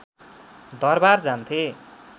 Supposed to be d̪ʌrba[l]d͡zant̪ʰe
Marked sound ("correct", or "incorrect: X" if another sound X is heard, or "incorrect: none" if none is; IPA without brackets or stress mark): incorrect: r